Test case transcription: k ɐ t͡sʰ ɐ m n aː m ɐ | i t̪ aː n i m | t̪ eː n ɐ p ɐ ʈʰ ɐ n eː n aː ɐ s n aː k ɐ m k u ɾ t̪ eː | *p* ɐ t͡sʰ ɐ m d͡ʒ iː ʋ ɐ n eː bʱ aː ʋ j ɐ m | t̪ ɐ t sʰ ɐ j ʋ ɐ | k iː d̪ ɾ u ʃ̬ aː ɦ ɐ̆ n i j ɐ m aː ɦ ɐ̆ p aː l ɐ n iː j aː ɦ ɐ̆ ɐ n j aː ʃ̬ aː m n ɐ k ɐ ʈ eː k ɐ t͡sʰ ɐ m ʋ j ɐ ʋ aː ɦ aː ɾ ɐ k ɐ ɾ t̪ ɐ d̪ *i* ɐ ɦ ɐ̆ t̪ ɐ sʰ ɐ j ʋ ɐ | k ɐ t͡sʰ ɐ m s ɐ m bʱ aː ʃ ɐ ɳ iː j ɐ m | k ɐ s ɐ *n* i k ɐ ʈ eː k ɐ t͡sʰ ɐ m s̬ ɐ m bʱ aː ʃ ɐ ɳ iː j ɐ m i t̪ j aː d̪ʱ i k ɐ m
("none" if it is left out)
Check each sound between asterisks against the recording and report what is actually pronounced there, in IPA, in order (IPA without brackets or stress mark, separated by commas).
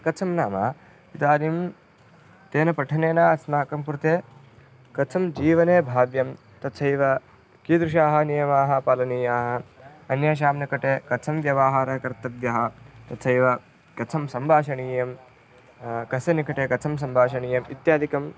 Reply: k, j, n